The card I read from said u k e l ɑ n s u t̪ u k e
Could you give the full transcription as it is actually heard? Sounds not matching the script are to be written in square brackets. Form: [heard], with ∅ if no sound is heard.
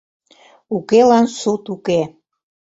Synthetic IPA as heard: u k e l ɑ n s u t̪ u k e